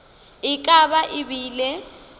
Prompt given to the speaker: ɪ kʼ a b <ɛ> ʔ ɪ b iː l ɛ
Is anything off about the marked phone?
yes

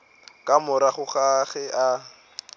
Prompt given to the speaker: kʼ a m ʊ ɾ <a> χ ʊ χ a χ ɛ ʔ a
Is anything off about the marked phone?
no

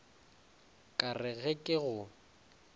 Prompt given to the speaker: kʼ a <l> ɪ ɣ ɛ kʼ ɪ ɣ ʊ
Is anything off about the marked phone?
yes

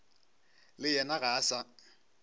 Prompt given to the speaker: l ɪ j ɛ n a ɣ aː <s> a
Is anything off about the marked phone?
no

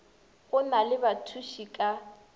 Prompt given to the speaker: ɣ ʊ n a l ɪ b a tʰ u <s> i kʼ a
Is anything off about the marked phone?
yes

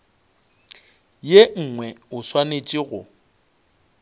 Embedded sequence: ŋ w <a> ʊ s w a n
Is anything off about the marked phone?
yes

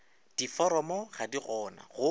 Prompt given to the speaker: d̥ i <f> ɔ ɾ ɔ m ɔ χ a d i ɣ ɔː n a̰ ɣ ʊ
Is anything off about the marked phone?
no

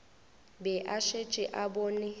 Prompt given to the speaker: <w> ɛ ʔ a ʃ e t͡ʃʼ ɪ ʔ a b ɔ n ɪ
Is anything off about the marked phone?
yes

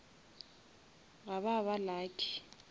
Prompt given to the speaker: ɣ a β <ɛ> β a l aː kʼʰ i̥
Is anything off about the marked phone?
yes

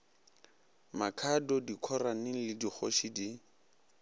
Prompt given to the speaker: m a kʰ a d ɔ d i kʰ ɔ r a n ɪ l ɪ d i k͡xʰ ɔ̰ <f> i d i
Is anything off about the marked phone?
yes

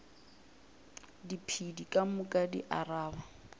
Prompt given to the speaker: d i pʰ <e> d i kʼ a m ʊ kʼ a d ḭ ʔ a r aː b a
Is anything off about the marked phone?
yes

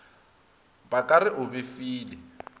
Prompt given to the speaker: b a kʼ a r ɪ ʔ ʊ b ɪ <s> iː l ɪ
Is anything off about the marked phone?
yes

